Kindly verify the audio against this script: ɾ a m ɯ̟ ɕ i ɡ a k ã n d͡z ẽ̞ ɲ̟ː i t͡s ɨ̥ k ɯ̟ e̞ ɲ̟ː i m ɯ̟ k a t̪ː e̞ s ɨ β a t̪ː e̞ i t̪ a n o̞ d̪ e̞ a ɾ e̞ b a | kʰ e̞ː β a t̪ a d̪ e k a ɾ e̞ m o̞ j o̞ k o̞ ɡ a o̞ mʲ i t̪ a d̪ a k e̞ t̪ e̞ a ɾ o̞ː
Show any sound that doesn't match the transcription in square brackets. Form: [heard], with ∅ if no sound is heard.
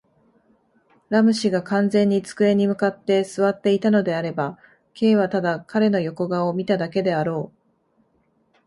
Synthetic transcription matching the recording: ɾ a m ɯ̟ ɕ i ɡ a k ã n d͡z ẽ̞ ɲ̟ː i t͡s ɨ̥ k ɯ̟ e̞ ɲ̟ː i m ɯ̟ k a t̪ː e̞ s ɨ β a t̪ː e̞ i t̪ a n o̞ d̪ e̞ a ɾ e̞ b a | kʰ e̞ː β a t̪ a d̪ [a] k a ɾ e̞ [n] o̞ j o̞ k o̞ ɡ a o̞ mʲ i t̪ a d̪ a k e̞ [d̪] e̞ a ɾ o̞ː

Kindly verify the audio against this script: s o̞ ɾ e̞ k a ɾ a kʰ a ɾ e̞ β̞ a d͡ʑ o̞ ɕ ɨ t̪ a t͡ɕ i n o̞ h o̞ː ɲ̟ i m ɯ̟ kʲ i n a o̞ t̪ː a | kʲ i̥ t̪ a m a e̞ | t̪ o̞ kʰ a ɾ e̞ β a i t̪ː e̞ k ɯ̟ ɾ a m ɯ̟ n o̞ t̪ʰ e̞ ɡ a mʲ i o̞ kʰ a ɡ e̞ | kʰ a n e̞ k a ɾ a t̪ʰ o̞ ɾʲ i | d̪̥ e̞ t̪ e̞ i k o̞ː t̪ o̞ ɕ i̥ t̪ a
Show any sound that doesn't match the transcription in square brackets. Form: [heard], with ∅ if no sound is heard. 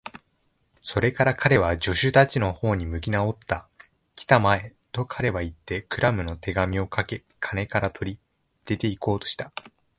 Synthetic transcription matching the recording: s o̞ ɾ e̞ k a ɾ a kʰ a ɾ e̞ β̞ a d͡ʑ o̞ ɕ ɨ t̪ a t͡ɕ i n o̞ h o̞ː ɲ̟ i m ɯ̟ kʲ i n a o̞ t̪ː a | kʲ i̥ t̪ a m a e̞ | t̪ o̞ kʰ a ɾ e̞ β a i t̪ː e̞ k ɯ̟ ɾ a m ɯ̟ n o̞ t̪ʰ e̞ ɡ a mʲ i o̞ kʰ a [k] e̞ | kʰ a n e̞ k a ɾ a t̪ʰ o̞ ɾʲ i | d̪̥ e̞ t̪ e̞ i k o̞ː t̪ o̞ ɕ i̥ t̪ a

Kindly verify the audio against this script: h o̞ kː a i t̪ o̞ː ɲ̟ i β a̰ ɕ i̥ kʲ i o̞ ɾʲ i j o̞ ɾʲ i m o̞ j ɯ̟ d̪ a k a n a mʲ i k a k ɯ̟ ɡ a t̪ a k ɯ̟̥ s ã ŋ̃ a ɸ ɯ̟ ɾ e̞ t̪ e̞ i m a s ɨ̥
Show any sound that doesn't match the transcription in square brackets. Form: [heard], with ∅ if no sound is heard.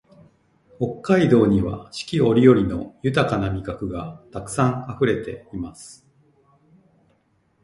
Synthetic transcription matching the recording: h o̞ kː a i [d̪] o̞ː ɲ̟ i β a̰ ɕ i̥ kʲ i o̞ ɾʲ i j o̞ ɾʲ i [n] o̞ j ɯ̟ [t̪] a k a n a mʲ i k a k ɯ̟ ɡ a t̪ a k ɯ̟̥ s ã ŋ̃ a ɸ ɯ̟ ɾ e̞ t̪ e̞ i m a s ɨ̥

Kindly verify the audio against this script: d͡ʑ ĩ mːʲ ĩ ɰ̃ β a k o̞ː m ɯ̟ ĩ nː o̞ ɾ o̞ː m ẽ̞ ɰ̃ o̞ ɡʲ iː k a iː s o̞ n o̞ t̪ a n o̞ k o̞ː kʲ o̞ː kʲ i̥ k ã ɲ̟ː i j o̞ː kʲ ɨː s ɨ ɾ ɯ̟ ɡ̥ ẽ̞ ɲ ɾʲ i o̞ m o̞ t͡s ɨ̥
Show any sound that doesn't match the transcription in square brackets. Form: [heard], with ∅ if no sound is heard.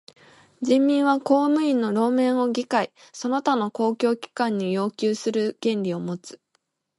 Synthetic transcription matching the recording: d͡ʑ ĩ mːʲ ĩ ɰ̃ β a k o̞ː m ɯ̟ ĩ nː o̞ ɾ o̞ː m ẽ̞ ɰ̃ o̞ ɡʲ [i] k a [i] s o̞ n o̞ t̪ a n o̞ k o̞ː kʲ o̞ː kʲ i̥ k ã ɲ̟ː i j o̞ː kʲ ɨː s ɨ ɾ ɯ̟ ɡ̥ ẽ̞ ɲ ɾʲ i o̞ m o̞ t͡s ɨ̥

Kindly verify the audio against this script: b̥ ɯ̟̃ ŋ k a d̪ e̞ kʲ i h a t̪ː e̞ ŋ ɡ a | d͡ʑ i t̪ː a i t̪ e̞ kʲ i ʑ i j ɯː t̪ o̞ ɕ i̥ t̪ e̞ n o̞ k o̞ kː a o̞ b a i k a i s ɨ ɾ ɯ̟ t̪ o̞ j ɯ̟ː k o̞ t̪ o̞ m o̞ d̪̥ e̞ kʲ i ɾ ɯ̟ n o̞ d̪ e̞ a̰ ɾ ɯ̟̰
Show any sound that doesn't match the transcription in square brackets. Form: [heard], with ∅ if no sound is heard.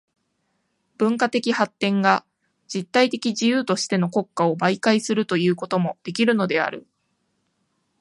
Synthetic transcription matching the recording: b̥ ɯ̟̃ ŋ k a [t̪] e̞ kʲ i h a t̪ː [ẽ̞] ŋ ɡ a | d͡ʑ i t̪ː a i t̪ e̞ kʲ i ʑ i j ɯː t̪ o̞ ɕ i̥ t̪ e̞ n o̞ k o̞ kː a o̞ b a i k a i s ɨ ɾ ɯ̟ t̪ o̞ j ɯ̟ː k o̞ t̪ o̞ m o̞ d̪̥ e̞ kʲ i ɾ ɯ̟ n o̞ d̪ e̞ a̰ ɾ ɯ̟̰

